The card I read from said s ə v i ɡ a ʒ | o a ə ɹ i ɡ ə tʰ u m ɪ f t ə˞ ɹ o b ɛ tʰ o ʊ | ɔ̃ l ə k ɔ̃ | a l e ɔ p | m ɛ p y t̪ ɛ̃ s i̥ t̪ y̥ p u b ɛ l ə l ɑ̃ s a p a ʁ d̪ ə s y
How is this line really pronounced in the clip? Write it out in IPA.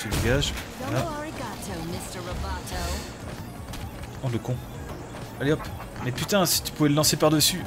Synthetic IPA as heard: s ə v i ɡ a ʒ | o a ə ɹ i ɡ ɑ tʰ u m ɪ s t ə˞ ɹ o b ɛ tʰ o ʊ | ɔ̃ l ə k ɔ̃ | a l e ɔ p | m ɛ p y t̪ ɛ̃ s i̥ t̪ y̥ p u v ɛ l ə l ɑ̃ s e p a ʁ d̪ ə s y